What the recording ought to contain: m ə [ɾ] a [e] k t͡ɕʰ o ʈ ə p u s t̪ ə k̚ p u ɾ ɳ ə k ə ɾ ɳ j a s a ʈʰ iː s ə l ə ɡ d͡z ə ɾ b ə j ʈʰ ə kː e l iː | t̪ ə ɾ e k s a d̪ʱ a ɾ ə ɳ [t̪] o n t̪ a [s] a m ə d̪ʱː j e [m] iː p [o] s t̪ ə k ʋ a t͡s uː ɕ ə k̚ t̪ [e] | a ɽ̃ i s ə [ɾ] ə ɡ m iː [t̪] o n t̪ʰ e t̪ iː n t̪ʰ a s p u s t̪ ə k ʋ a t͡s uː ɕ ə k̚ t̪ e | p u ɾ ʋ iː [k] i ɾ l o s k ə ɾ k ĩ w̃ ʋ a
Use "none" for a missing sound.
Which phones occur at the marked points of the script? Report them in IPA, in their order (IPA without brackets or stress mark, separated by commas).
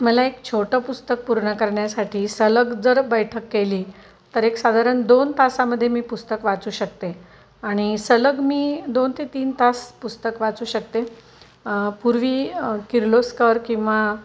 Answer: l, e, d̪, s, m, u, e, l, d̪, k